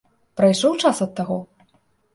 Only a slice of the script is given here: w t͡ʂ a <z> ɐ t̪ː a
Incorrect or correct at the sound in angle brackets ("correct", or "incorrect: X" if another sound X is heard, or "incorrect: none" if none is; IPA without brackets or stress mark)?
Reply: incorrect: s